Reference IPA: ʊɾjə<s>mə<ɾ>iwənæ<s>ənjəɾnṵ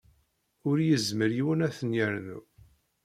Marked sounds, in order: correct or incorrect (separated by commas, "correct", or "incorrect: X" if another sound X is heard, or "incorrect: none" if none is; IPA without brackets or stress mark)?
incorrect: z, correct, incorrect: θ